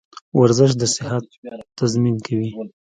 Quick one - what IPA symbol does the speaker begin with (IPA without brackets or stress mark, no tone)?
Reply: w